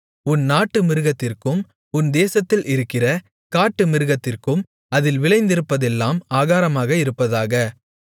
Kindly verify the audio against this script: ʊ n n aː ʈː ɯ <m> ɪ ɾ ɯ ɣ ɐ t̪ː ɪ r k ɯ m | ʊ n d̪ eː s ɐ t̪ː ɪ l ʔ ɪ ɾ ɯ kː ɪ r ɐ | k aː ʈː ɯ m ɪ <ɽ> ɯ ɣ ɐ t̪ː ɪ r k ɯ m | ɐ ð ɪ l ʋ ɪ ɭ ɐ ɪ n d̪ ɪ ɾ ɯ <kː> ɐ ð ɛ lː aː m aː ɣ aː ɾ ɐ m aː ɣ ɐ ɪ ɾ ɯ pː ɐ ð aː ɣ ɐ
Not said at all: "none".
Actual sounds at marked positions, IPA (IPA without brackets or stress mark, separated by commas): m, ɾ, pː